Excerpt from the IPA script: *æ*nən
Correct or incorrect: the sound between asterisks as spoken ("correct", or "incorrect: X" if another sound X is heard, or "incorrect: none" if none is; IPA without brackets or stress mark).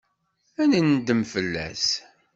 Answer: correct